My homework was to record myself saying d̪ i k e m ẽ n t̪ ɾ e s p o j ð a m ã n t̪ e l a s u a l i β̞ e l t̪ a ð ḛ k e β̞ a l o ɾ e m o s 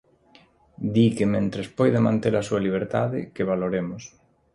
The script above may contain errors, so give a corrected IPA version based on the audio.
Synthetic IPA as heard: d̪ i k e m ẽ n t̪ ɾ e s p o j ð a m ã n t̪ e l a s u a l i β̞ e ɾ t̪ a ð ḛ k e β̞ a l o ɾ e m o s